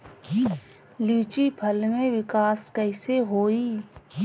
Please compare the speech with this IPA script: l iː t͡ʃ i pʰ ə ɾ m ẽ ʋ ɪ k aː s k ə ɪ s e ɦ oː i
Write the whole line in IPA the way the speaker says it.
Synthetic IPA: l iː t͡ʃ i pʰ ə l m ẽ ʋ ɪ k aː s k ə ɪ s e ɦ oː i